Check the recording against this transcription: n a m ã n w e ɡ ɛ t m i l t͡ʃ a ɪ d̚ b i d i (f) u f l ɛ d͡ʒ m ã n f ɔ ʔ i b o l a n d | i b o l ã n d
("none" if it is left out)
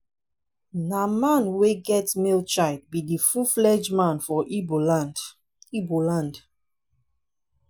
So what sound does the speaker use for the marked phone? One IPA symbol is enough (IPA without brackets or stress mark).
f